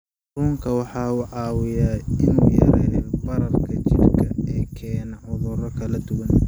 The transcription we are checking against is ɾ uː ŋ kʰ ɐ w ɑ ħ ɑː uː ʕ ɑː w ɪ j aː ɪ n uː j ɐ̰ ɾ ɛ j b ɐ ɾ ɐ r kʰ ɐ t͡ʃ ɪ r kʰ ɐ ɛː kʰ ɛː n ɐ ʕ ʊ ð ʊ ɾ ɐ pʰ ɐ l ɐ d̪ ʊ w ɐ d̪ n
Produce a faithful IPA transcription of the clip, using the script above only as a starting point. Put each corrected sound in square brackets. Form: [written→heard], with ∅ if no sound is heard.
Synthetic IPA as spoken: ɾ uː ŋ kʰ ɐ w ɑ ħ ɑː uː ʕ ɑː w ɪ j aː ɪ n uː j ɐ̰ ɾ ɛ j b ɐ ɾ ɐ r kʰ ɐ t͡ʃ ɪ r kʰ ɐ ɛː kʰ ɛː n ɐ ʕ ʊ ð ʊ ɾ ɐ [pʰ→kʰ] ɐ l ɐ d̪ ʊ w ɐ [d̪→∅] n